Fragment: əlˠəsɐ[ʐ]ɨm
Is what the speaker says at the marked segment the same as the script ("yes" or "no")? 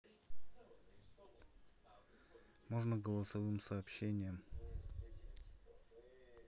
no